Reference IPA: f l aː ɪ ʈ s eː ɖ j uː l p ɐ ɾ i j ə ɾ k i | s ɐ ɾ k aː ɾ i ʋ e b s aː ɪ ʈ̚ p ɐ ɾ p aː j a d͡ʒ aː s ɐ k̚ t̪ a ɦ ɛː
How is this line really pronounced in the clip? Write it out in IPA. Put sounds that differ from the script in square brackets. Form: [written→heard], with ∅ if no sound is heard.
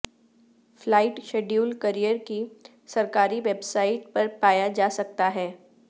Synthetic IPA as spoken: f l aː ɪ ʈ [s→ʃ] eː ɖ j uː l [p→k] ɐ ɾ i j ə ɾ k i | s ɐ ɾ k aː ɾ i ʋ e b s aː ɪ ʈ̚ p ɐ ɾ p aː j a d͡ʒ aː s ɐ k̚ t̪ a ɦ ɛː